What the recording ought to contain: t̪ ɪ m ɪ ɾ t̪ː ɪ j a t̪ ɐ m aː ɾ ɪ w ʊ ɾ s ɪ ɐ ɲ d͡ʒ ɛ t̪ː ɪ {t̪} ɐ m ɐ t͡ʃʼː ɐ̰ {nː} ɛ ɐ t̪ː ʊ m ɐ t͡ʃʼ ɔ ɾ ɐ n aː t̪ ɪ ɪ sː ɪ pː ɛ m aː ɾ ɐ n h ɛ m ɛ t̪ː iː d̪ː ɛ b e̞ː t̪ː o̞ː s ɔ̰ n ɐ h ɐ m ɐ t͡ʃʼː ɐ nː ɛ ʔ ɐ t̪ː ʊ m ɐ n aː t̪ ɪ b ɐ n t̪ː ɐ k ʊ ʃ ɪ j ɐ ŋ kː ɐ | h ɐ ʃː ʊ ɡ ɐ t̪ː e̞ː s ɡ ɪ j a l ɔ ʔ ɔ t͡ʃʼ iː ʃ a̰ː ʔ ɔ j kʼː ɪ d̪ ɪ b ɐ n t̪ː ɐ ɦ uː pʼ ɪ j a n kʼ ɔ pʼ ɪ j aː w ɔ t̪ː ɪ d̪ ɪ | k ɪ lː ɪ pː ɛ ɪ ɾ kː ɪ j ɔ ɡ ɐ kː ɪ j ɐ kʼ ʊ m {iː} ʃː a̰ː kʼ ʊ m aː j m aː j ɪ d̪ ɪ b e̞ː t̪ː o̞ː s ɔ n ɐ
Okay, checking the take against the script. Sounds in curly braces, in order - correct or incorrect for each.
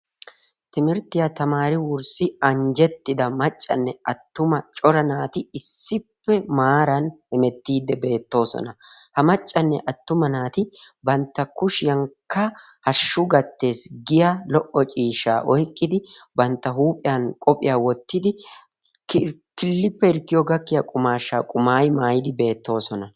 incorrect: d̪, correct, incorrect: aː

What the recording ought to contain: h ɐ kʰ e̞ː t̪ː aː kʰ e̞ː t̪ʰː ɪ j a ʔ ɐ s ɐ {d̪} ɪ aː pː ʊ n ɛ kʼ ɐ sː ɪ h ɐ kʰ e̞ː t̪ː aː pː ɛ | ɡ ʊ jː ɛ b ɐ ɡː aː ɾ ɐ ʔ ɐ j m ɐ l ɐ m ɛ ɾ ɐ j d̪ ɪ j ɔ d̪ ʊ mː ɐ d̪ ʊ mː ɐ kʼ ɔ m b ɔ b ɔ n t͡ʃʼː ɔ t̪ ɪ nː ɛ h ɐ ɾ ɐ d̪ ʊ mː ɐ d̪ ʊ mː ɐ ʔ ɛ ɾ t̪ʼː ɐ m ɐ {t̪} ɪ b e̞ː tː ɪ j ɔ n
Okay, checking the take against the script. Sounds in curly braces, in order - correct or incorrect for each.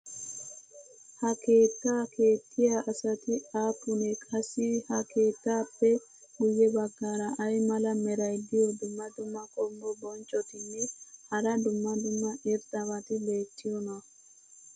incorrect: t̪, correct

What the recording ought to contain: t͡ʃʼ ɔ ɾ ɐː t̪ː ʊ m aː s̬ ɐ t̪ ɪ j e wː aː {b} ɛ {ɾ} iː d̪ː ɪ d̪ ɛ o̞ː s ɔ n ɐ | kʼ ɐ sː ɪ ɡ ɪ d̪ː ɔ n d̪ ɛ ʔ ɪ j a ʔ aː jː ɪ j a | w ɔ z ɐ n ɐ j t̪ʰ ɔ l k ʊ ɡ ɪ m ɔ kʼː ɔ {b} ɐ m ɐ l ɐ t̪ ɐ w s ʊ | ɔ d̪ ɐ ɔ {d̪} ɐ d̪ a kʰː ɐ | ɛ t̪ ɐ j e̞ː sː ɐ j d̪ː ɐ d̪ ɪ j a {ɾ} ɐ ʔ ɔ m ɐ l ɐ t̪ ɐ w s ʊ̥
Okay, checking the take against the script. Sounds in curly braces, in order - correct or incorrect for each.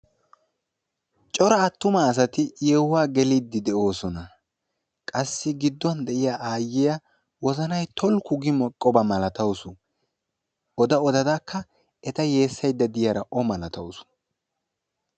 incorrect: ɡ, incorrect: l, correct, correct, correct

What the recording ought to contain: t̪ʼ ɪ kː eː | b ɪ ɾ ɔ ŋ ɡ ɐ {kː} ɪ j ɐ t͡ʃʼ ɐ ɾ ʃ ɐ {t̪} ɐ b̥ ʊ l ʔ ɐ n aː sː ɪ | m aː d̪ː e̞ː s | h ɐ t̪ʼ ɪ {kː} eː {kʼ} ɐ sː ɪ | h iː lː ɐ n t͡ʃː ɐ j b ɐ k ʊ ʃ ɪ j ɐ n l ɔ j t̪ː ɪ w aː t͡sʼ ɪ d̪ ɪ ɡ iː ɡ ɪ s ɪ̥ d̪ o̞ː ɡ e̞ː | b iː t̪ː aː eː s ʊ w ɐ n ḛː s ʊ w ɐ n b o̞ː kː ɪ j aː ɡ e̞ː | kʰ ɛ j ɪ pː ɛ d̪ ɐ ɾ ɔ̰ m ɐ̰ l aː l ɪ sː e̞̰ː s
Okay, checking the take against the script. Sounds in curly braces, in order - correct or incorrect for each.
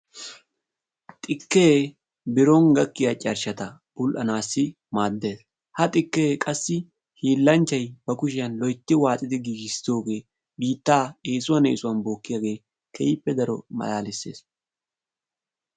correct, correct, correct, correct

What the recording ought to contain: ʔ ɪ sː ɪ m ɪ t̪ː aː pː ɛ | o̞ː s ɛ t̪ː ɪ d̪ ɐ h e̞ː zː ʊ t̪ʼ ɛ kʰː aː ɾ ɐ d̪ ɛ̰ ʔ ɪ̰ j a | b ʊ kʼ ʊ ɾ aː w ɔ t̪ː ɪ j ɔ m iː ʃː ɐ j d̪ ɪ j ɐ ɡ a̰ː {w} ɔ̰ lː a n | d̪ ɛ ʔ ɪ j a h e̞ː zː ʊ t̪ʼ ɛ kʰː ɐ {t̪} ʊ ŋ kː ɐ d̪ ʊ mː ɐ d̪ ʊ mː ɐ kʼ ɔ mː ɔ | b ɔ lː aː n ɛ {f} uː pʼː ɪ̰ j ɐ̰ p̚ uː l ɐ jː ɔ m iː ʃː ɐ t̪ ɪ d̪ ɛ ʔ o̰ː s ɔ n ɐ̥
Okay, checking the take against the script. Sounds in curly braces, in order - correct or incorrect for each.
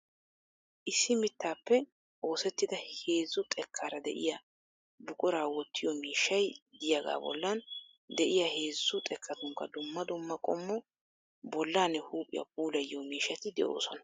incorrect: b, correct, incorrect: h

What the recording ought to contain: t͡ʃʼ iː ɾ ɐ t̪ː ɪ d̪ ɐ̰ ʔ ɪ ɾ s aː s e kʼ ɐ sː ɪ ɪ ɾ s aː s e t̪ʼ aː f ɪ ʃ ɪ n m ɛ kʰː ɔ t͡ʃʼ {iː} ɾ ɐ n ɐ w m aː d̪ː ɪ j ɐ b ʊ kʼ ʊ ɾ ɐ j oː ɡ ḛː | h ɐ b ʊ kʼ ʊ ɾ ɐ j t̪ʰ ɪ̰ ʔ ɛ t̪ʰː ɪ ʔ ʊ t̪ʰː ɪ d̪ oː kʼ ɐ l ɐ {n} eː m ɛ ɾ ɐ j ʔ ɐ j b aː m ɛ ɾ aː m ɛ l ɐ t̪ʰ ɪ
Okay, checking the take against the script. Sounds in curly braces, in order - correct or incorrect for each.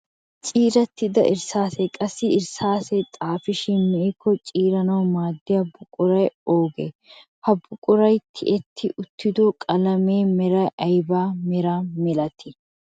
correct, incorrect: m

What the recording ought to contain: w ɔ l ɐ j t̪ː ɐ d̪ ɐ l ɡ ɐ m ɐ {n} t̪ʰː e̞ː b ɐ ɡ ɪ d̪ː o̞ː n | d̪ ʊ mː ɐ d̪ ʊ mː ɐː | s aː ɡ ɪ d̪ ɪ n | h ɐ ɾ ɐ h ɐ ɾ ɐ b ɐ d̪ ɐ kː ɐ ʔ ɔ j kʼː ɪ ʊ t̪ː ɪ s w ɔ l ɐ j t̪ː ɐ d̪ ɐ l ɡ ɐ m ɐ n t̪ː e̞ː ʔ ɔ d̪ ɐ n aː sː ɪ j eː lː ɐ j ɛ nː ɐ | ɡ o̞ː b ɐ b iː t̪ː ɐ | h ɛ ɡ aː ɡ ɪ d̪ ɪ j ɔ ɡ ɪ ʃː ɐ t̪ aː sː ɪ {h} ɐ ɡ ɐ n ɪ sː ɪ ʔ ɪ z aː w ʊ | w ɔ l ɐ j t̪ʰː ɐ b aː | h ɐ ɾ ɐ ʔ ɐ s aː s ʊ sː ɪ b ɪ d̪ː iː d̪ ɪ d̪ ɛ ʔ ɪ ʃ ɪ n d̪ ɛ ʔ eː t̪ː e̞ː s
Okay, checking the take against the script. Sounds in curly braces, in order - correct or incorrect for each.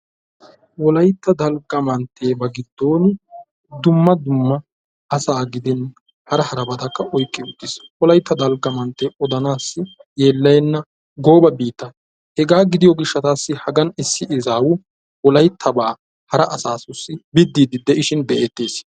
correct, correct

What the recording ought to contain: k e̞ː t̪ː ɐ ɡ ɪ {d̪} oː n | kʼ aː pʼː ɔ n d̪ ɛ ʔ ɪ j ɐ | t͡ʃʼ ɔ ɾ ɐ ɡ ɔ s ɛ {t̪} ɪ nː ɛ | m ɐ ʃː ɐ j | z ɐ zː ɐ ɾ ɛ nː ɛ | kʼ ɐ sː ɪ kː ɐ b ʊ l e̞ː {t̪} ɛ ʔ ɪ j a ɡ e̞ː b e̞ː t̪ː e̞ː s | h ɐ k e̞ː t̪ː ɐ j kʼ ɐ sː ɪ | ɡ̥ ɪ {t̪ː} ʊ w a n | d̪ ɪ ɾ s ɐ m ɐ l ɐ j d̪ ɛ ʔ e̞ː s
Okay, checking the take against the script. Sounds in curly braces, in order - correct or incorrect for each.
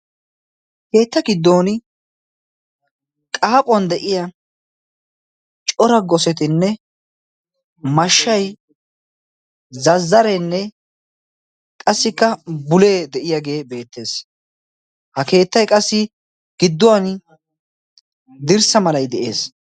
incorrect: d̪ː, correct, incorrect: d̪, incorrect: d̪ː

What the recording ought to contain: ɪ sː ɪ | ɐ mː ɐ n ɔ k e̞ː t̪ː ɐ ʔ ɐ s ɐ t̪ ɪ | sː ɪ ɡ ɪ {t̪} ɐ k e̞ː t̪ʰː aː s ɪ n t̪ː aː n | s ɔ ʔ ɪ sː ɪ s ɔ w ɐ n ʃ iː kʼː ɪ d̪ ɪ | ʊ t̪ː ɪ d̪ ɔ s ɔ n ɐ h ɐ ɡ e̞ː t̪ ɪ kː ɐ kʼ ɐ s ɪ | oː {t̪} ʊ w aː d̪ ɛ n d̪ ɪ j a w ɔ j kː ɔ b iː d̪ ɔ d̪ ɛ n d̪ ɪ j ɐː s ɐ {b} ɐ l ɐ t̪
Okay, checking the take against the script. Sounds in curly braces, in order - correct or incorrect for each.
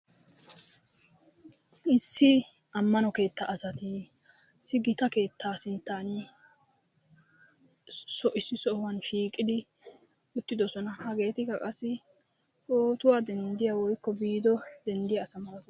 correct, correct, incorrect: m

